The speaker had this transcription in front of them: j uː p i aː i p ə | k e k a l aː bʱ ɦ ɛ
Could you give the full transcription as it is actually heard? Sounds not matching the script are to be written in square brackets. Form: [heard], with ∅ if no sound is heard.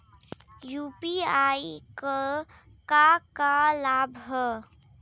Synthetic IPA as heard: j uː p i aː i [k] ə | k [a] k a l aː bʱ ɦ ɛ